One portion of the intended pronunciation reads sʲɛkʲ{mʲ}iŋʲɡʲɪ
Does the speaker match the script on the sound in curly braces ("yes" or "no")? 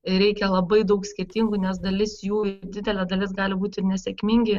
yes